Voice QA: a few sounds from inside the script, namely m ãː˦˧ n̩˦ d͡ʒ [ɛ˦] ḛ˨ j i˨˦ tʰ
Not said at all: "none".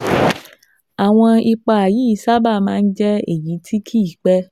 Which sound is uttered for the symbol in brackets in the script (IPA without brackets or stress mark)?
ɛ˦